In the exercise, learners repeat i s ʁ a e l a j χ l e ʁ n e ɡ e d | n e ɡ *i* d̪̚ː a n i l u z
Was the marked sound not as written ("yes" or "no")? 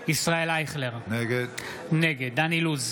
yes